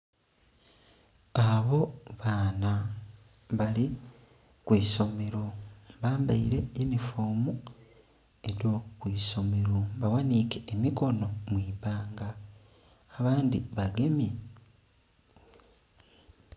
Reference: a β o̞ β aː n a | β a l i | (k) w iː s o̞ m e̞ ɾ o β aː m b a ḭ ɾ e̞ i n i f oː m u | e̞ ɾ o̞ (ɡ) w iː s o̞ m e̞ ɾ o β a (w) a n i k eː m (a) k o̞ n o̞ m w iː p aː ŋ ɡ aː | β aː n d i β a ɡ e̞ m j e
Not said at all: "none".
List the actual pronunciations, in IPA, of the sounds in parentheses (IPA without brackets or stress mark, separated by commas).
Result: k, k, w, i